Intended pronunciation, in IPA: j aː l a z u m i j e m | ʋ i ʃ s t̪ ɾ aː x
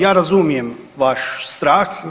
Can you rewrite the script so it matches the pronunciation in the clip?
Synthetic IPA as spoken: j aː ɾ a z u m i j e m | ʋ a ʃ s t̪ ɾ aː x